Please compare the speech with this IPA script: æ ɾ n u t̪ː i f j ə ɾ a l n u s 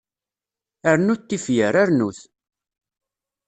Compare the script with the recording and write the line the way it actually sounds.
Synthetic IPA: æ ɾ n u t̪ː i f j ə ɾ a ɾ n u θ